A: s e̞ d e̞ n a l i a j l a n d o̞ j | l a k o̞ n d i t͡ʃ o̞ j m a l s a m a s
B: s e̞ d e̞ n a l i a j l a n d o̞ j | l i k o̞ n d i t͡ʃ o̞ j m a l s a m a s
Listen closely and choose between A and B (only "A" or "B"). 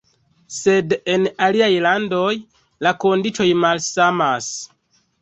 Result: A